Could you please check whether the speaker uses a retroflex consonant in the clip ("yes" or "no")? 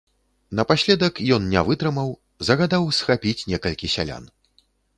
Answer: no